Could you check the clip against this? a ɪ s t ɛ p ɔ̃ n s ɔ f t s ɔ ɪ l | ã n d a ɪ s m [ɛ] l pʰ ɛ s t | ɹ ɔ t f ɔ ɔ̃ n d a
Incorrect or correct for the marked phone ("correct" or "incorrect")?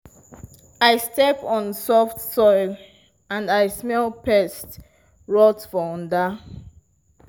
correct